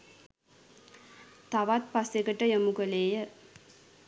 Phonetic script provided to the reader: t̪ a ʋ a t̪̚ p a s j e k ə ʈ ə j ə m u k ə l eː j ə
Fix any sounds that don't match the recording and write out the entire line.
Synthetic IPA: t̪ a ʋ a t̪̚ p a s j e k ə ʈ ə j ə m u k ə l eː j ə